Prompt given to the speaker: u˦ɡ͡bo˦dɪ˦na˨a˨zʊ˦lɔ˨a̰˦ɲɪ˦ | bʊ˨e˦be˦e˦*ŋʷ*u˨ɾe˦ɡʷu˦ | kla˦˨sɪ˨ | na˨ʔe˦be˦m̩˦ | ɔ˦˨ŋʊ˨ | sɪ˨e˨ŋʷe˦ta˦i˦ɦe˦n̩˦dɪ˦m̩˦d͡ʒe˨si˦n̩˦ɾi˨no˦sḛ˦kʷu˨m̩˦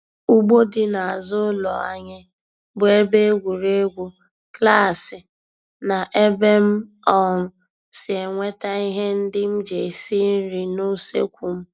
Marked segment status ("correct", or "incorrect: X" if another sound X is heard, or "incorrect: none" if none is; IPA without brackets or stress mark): incorrect: ɡʷ